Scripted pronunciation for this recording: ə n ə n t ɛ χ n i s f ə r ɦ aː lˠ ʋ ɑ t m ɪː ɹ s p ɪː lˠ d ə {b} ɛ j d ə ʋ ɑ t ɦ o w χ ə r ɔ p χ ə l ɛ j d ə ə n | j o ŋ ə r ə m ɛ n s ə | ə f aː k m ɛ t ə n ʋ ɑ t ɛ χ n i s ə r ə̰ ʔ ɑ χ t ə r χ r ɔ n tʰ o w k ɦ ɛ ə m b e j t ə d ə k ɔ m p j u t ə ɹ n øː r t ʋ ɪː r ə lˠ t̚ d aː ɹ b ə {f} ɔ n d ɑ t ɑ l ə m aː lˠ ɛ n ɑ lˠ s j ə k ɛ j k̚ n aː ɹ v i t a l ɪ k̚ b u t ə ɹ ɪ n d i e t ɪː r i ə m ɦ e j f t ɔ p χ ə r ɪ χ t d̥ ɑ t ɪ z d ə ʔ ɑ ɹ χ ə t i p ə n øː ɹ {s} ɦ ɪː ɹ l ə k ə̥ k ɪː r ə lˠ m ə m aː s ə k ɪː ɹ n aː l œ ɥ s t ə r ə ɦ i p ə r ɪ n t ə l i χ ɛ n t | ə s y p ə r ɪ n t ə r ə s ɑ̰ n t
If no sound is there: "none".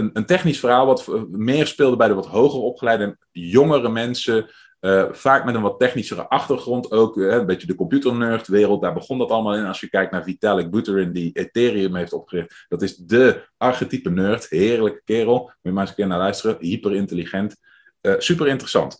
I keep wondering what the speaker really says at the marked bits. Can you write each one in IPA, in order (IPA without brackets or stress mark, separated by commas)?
b, χ, t